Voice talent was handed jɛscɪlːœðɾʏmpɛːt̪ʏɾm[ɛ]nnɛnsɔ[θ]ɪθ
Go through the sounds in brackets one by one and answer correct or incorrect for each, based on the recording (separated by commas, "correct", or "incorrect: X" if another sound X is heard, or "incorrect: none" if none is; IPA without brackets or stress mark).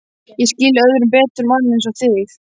incorrect: a, correct